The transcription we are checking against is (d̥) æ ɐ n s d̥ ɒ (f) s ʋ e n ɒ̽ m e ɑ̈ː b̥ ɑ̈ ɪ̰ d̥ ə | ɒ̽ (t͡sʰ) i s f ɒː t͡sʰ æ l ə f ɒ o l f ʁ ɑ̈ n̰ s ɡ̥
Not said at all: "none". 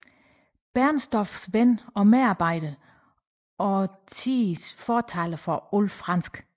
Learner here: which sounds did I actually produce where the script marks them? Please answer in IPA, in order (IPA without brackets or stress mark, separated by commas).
b̥, f, t͡sʰ